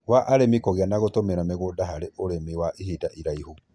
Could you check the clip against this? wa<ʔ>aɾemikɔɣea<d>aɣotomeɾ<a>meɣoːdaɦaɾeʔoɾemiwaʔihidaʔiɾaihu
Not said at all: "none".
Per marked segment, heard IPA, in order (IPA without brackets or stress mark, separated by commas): ʔ, n, a